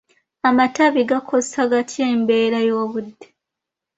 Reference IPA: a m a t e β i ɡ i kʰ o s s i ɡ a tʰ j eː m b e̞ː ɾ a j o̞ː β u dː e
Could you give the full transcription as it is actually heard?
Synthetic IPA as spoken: a m a t a β i ɡ a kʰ o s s a ɡ a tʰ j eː m b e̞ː ɾ a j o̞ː β u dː e

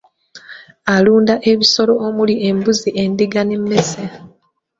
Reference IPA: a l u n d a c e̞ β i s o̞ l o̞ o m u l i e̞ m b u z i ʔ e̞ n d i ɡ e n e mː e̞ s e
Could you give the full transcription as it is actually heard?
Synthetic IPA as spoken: a l uː n d a ʔ e̞ β i s o̞ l o̞ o m u l i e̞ m b u z i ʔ e̞ n d i ɡ a n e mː e̞ s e

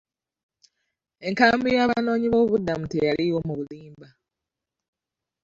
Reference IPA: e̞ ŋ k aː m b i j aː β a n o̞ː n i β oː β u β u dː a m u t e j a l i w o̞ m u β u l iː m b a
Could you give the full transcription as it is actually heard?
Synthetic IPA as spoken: e̞ ŋ k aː m b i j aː β a n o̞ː ɲ i β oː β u β u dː a m u t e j a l i w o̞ m u β u l iː m b a

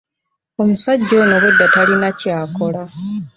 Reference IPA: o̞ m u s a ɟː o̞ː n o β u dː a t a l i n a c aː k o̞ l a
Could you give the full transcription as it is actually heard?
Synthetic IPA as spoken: o̞ m u s a ɟː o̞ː n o β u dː a t a l i n a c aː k o̞ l a

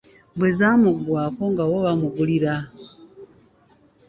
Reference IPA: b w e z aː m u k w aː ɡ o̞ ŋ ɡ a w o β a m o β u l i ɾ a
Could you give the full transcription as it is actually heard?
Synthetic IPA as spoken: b w e z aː m u ɡ w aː k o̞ ŋ ɡ a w o β a m u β u l i ɾ a

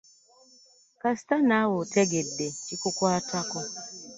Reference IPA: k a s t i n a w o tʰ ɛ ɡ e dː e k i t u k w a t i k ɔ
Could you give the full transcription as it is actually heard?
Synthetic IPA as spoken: k a s t a n a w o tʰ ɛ ɡ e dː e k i k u k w a t a k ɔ

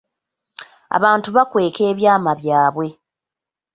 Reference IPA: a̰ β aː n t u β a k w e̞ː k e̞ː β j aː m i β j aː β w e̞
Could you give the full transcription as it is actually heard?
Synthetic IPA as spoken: a̰ β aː n t u β a k w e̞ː k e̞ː β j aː m a β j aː β w e̞

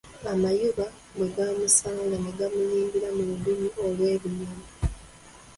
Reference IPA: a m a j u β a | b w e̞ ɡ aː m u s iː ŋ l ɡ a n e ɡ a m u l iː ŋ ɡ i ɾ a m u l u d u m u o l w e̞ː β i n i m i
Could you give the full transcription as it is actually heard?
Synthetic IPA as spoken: a m a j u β a | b w e̞ ɡ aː m u s aː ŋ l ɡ a n e ɡ a m u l iː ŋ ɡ i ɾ a m u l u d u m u o l w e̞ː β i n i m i

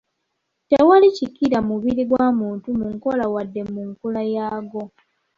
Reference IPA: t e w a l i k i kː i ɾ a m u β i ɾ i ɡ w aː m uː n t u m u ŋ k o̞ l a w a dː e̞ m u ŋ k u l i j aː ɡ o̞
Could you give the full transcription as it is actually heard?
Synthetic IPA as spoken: t e w a l i c i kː i ɾ a m u β i ɾ i ɡ w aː m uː n t u m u ŋ k o̞ l a w a dː e̞ m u ŋ k u l a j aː ɡ o̞

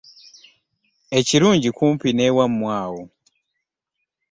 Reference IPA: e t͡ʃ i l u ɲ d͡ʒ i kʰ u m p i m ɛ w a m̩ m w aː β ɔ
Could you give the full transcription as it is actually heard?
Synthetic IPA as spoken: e t͡ʃ i ɾ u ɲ d͡ʒ i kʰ u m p i n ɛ w a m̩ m w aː w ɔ

